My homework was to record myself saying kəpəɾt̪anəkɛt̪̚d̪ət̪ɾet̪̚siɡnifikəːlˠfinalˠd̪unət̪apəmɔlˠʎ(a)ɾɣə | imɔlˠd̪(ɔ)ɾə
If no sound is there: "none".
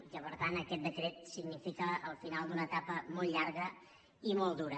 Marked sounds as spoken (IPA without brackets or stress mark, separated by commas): a, u